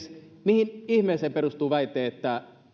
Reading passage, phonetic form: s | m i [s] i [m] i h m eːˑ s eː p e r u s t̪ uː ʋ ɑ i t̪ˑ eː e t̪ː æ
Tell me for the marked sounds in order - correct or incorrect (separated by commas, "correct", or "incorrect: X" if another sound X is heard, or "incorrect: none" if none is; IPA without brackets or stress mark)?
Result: incorrect: h, incorrect: n